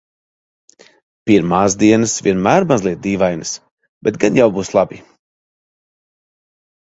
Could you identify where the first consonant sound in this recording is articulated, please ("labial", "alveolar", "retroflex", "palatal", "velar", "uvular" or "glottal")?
labial